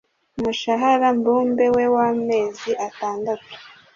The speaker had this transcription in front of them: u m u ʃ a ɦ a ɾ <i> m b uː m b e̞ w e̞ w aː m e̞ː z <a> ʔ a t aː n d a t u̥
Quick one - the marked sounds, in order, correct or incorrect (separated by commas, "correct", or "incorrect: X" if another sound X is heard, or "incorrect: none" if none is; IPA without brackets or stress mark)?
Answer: incorrect: a, incorrect: i